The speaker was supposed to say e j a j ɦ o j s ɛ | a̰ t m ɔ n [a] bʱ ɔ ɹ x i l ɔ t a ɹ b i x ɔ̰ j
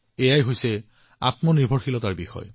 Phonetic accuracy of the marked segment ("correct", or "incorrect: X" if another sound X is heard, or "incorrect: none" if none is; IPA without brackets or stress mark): incorrect: i